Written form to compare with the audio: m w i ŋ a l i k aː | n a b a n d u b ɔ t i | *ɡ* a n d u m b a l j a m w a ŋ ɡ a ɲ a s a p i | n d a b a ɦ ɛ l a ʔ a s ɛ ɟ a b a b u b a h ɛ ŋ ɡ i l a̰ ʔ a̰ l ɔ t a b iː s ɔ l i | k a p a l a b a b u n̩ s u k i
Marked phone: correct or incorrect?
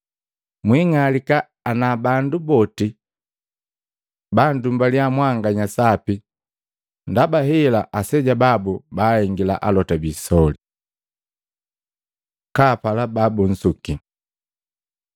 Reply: incorrect